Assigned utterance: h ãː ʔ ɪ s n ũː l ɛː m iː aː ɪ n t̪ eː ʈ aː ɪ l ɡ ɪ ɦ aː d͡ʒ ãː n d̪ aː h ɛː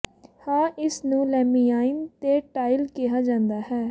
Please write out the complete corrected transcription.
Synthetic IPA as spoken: h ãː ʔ ɪ s n ũː l ɛː m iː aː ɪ n t̪ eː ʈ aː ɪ l k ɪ ɦ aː d͡ʒ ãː n d̪ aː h ɛː